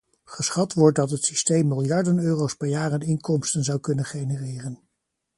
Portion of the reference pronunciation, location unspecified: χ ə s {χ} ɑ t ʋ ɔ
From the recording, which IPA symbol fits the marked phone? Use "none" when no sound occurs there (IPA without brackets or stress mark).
χ